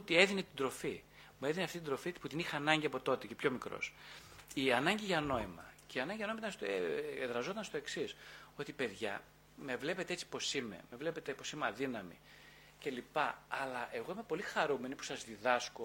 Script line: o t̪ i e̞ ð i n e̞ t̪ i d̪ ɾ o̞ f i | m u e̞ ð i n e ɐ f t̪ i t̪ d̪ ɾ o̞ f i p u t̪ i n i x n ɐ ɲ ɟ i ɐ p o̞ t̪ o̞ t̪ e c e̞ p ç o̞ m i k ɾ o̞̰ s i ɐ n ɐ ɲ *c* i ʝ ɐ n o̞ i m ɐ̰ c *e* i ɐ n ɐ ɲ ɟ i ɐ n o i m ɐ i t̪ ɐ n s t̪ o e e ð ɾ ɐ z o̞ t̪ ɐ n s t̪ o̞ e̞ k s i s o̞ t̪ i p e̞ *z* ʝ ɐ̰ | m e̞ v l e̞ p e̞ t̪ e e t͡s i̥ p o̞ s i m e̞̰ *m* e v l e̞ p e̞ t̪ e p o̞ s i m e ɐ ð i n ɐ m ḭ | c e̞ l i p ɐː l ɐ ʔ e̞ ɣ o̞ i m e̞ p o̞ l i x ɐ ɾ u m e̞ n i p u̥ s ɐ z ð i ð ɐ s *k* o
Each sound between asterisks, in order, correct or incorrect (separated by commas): incorrect, correct, incorrect, correct, correct